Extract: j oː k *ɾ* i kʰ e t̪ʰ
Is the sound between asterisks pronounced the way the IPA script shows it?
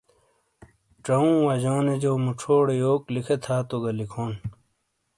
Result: no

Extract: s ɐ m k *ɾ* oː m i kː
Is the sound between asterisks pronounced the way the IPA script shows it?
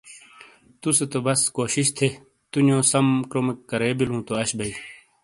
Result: yes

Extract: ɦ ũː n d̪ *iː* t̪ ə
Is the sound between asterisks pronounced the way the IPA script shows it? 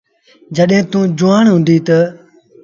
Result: yes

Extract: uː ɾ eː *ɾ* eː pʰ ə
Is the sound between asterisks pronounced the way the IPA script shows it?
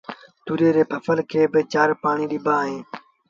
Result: yes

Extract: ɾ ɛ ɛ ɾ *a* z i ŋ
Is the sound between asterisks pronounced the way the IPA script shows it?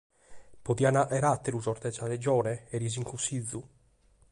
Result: no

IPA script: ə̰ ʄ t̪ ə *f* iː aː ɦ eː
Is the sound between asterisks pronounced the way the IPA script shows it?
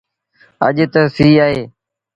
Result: no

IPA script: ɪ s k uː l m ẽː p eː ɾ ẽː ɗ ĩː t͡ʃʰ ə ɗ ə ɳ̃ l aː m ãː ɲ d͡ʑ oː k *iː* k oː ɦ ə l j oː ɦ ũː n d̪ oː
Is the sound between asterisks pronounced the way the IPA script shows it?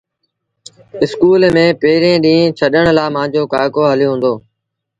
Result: no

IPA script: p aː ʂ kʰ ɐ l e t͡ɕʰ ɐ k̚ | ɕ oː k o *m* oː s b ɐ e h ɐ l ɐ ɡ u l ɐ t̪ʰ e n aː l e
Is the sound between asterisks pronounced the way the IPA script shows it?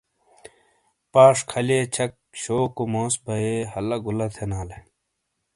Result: yes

